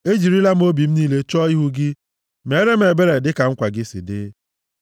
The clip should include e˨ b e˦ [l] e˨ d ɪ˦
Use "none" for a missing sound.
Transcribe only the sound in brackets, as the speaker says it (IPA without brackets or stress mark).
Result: ɾ